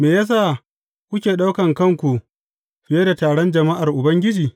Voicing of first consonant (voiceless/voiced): voiced